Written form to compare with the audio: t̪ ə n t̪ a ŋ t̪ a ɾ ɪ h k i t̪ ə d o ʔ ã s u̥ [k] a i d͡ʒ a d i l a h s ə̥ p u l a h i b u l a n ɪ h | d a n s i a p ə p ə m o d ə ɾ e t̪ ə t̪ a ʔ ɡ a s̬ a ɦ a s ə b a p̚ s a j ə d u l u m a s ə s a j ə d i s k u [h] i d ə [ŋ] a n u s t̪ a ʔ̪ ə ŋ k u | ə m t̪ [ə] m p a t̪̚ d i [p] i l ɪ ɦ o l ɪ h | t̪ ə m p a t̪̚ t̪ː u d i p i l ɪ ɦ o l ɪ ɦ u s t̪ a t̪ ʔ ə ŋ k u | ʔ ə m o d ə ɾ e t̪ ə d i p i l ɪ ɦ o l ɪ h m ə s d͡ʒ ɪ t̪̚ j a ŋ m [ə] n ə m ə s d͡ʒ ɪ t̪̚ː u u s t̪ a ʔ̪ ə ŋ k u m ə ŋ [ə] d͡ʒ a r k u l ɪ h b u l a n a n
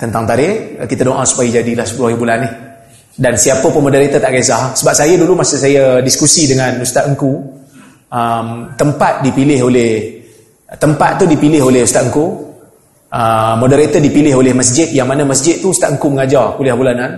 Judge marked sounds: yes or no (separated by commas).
no, no, yes, yes, yes, no, no